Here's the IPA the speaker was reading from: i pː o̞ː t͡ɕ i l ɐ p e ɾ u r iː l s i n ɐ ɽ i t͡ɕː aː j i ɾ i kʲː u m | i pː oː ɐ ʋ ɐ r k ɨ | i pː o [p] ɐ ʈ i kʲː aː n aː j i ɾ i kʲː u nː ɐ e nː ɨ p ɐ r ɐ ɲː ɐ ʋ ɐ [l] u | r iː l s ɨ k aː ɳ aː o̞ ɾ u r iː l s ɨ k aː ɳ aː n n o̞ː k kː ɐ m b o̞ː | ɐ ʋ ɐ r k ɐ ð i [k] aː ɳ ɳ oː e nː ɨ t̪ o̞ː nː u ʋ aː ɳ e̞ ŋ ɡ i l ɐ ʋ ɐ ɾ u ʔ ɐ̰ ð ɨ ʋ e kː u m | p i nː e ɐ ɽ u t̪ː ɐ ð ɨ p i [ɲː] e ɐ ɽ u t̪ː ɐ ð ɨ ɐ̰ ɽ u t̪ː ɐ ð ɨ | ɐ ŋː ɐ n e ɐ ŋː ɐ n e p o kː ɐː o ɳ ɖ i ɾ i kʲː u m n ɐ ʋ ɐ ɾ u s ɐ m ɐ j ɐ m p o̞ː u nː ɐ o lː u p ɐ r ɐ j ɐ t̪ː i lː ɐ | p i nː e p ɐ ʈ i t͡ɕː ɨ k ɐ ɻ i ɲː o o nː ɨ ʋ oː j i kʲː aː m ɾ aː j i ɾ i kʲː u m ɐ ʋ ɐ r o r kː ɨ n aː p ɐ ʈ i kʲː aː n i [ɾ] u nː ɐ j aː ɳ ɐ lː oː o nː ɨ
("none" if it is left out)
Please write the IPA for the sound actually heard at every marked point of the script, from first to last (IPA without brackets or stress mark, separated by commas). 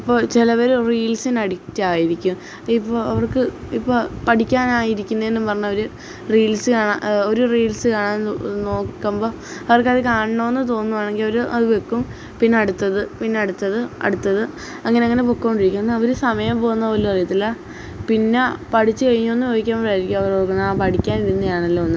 p, ɾ, k, nː, ɾ